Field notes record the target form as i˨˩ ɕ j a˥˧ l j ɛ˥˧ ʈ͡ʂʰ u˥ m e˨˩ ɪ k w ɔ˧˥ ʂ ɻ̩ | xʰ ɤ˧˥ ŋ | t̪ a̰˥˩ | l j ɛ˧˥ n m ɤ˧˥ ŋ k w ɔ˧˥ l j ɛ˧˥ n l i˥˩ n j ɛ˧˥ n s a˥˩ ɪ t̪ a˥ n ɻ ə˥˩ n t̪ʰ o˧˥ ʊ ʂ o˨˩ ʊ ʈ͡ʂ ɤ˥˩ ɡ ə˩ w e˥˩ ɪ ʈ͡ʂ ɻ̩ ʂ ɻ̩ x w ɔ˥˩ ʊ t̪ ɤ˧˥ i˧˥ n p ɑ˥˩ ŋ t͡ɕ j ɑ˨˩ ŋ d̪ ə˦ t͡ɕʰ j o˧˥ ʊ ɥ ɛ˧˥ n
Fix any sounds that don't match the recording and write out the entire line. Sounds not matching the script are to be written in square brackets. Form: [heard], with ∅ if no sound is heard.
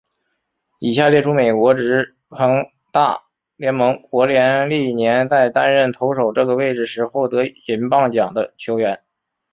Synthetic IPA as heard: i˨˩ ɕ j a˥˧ l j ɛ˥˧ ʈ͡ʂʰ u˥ m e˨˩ ɪ k w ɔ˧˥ [ʈ͡ʂ] ɻ̩ | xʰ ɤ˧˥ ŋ | t̪ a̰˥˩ | l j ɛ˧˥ n m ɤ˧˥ ŋ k w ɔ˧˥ l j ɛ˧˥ n l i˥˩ n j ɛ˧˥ n [t͡s] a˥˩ ɪ t̪ a˥ n ɻ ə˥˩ n t̪ʰ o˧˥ ʊ ʂ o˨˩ ʊ ʈ͡ʂ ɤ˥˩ ɡ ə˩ w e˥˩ ɪ ʈ͡ʂ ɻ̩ ʂ ɻ̩ x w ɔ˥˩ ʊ t̪ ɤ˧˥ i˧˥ n p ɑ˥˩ ŋ t͡ɕ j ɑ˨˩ ŋ d̪ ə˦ t͡ɕʰ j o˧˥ ʊ ɥ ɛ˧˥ n